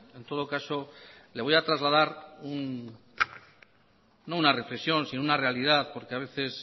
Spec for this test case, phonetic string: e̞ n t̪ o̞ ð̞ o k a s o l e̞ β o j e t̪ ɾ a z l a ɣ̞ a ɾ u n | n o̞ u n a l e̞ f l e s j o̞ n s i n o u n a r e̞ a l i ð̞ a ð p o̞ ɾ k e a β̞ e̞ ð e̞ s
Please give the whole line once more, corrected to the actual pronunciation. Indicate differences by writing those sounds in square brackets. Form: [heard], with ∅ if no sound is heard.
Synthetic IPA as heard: e̞ n t̪ o̞ ð̞ o k a s o l e̞ β o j [a] t̪ ɾ a z l a [ð̞] a ɾ u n | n o̞ u n a [r] e̞ f l e s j o̞ n s i n o u n a r e̞ a l i ð̞ a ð p o̞ ɾ k e a β̞ e̞ [θ] e̞ s